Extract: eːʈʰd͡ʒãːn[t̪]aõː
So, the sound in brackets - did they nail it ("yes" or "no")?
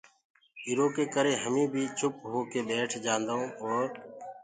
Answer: no